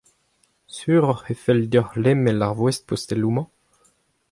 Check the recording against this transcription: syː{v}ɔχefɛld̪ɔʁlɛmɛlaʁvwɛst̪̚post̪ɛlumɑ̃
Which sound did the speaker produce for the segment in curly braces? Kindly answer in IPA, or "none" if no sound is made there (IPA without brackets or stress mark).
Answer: ʁ